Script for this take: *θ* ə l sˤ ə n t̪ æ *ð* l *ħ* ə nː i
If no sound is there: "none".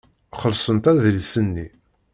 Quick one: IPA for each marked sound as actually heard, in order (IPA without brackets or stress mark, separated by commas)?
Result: χ, ð, s